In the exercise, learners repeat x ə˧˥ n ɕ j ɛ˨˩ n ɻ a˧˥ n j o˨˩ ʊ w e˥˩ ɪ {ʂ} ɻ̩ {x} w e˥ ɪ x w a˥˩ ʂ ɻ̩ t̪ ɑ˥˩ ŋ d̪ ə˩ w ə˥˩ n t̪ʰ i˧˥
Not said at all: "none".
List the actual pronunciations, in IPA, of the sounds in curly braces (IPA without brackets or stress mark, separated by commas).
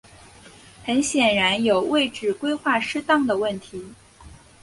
ʈ͡ʂ, k